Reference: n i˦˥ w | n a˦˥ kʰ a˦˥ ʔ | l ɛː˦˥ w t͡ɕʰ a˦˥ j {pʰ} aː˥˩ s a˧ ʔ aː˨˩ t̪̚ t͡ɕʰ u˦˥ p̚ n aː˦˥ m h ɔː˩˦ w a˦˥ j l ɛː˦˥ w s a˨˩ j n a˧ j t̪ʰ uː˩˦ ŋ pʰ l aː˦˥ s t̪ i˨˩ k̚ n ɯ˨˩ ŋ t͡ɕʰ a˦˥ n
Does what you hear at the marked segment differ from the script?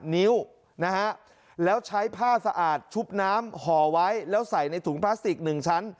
no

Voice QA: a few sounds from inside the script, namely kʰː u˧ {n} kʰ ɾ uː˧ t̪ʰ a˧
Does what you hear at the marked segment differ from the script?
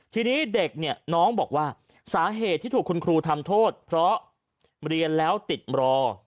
no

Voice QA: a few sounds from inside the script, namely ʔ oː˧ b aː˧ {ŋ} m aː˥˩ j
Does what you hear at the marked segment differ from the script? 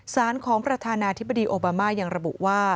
yes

